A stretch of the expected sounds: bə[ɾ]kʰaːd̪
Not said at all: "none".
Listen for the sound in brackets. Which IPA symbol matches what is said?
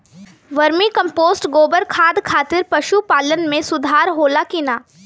ɾ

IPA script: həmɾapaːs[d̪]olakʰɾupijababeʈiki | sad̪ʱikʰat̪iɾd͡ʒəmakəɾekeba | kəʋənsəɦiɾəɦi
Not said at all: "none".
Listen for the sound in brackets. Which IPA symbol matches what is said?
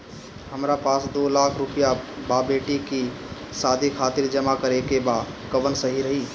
d̪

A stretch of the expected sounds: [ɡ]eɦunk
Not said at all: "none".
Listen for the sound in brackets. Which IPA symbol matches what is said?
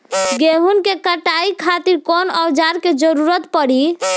ɡ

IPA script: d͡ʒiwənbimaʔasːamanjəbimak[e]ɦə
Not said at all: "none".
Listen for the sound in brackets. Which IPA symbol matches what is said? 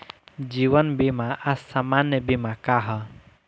a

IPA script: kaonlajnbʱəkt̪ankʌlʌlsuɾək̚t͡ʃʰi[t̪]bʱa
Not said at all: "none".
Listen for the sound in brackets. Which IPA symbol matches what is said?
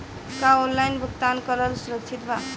t̪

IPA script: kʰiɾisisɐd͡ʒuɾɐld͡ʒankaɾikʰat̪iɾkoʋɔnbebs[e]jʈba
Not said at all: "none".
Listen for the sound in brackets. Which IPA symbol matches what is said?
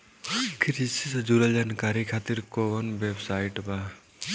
a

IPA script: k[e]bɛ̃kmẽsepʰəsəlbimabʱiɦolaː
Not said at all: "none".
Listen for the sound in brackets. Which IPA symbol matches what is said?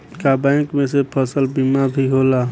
a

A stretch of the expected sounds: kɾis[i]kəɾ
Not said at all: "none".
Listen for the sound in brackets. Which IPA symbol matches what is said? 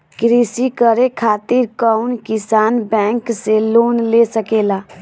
i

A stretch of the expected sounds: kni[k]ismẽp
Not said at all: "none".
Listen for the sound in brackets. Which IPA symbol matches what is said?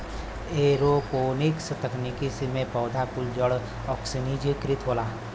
k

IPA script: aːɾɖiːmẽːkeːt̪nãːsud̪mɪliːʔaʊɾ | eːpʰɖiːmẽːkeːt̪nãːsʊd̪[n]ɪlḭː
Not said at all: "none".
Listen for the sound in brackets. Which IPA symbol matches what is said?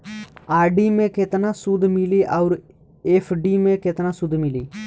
m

